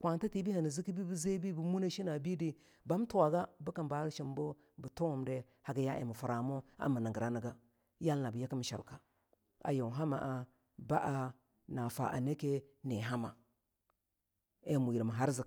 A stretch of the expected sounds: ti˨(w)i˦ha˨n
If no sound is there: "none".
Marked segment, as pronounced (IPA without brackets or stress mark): b